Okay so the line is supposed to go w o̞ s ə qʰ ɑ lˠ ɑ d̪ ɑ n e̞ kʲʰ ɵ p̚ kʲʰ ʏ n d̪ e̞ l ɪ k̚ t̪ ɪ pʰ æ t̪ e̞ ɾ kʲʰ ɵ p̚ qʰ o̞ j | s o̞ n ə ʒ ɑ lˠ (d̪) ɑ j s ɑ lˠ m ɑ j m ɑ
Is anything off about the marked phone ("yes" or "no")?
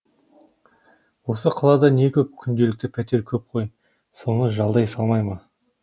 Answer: no